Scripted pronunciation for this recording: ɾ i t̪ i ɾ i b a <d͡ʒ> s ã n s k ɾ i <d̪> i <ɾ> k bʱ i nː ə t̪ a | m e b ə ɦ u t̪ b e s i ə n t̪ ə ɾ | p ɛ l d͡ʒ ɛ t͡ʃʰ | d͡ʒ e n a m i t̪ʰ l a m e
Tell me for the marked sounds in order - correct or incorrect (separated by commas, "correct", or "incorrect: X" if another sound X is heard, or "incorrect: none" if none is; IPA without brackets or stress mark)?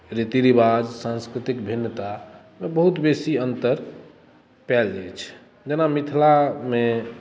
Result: correct, incorrect: t̪, incorrect: none